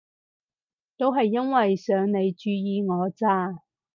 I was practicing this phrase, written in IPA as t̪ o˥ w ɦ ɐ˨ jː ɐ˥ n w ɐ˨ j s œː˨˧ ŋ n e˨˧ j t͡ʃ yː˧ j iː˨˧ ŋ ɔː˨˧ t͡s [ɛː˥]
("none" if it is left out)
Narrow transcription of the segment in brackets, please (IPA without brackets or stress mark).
aː˥